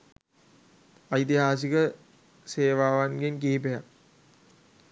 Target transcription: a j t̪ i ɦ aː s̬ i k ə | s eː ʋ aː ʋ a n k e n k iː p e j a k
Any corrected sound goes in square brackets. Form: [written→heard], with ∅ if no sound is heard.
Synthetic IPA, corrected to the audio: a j t̪ i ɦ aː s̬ i k ə | s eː ʋ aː ʋ a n [k→ɡ] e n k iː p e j a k